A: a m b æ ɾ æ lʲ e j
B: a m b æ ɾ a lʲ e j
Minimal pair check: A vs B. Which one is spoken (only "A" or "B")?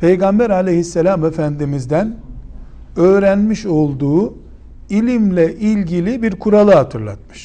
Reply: B